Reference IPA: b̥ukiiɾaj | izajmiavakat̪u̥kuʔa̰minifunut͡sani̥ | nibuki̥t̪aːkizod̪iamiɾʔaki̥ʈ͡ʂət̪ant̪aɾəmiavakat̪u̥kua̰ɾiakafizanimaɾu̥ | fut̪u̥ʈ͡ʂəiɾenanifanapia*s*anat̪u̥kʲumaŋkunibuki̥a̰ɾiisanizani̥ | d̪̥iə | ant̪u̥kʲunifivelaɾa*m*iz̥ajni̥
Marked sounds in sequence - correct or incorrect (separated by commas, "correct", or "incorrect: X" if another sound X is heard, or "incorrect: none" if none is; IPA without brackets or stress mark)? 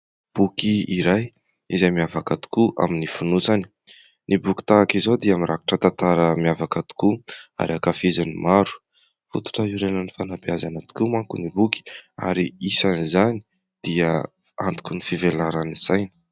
incorrect: z, incorrect: n